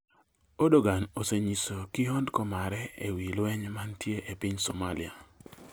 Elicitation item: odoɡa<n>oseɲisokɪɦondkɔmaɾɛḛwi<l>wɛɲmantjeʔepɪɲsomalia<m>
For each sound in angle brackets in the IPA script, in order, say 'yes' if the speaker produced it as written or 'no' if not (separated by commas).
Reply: yes, yes, no